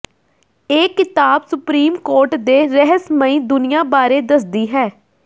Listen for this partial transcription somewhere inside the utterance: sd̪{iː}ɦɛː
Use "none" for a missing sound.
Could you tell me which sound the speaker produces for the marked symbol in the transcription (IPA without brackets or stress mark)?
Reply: iː